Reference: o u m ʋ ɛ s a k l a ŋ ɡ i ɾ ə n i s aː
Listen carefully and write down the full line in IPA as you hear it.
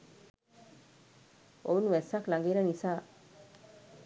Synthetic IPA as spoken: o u n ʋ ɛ s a k l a ŋ ɡ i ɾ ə n i s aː